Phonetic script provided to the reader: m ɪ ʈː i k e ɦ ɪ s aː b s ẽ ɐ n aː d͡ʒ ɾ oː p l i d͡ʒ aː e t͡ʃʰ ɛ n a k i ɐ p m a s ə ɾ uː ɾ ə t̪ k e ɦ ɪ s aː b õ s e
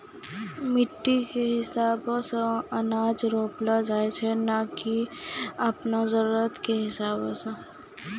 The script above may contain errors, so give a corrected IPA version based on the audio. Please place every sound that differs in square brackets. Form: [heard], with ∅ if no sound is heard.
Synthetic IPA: m ɪ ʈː i k e ɦ ɪ s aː b s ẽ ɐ n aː d͡ʒ ɾ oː p l [a] d͡ʒ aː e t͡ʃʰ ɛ n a k i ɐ p [n] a [z] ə ɾ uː ɾ ə t̪ k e ɦ ɪ s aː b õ s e